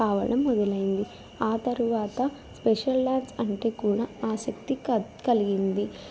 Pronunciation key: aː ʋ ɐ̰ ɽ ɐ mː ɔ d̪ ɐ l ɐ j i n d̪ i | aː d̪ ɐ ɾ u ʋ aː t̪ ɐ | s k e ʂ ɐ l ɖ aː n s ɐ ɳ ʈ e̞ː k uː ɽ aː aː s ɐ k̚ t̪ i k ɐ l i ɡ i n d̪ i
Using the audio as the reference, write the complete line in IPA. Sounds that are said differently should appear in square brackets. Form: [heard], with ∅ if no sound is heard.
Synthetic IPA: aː ʋ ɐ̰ ɽ ɐ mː ɔ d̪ ɐ l ɐ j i n d̪ i | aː [t̪] ɐ ɾ u ʋ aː t̪ ɐ | s [p] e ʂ ɐ l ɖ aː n s ɐ ɳ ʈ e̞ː k uː ɽ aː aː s ɐ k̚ t̪ i k ɐ l i ɡ i n d̪ i